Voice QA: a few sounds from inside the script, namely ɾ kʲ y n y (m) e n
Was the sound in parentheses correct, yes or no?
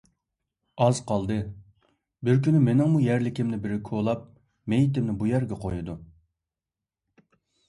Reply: yes